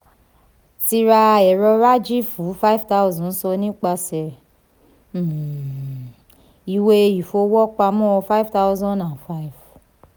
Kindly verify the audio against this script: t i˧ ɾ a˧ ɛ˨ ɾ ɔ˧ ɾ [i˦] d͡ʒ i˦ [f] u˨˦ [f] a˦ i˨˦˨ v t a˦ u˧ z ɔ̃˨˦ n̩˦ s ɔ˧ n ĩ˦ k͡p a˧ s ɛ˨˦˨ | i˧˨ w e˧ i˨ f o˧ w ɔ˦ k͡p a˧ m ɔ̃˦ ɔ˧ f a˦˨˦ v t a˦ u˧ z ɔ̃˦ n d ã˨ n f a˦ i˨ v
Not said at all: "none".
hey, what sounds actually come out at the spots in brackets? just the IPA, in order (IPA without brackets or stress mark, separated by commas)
a˦, f, f